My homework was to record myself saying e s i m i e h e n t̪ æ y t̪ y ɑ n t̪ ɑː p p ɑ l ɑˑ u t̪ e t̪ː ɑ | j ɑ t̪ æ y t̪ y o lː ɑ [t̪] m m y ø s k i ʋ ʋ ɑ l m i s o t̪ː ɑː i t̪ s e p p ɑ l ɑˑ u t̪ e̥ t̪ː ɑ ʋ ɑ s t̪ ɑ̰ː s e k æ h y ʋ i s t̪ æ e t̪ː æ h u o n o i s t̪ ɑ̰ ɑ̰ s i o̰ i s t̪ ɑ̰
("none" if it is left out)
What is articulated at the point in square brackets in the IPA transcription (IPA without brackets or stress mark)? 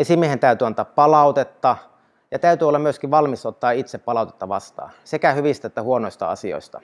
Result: none